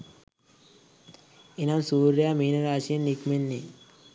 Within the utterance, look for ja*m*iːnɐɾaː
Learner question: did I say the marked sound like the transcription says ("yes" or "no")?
yes